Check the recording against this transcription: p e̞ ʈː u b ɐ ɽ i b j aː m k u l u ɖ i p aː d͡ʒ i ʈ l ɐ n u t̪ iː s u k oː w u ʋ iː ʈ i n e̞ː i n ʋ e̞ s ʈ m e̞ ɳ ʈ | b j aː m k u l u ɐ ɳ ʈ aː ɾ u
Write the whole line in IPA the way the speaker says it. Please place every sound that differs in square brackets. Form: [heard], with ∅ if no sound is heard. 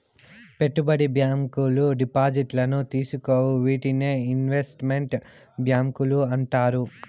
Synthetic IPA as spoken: p e̞ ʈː u b ɐ ɽ i b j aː m k u l u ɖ i p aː d͡ʒ i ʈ l ɐ n u t̪ iː s u k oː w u ʋ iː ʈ i n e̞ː i n ʋ e̞ s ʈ m e̞ ɳ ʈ | b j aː m k u l u ɐ ɳ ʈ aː ɾ u